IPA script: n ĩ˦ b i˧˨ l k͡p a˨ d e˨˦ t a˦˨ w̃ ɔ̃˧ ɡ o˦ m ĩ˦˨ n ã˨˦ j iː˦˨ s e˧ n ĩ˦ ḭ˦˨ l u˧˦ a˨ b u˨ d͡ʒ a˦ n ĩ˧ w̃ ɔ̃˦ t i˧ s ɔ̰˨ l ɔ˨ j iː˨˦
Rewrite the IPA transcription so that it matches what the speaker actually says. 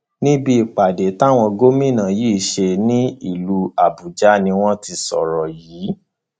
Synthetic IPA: n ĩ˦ b i˧˨ k͡p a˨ d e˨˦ t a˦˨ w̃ ɔ̃˧ ɡ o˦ m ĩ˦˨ n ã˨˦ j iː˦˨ ʃ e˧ n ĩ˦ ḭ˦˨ l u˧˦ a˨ b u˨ d͡ʒ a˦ n ĩ˧ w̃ ɔ̃˦ t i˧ s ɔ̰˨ ɾ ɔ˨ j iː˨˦